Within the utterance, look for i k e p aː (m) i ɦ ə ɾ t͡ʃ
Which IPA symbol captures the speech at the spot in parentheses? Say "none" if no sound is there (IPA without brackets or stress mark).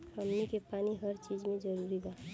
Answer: n